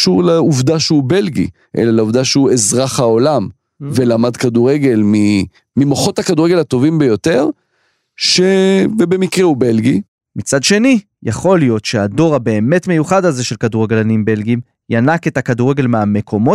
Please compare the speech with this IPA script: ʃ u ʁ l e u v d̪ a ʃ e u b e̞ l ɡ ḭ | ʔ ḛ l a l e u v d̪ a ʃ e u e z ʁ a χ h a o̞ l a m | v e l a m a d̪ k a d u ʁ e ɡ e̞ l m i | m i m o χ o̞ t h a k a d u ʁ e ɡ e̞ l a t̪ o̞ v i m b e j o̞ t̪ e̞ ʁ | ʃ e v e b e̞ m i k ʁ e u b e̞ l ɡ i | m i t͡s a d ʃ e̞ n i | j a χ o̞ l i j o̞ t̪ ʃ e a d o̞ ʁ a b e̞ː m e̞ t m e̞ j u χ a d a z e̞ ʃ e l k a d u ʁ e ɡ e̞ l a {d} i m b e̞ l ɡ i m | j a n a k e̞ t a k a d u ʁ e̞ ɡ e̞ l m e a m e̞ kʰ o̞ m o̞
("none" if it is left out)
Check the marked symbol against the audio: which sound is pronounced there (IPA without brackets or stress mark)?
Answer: n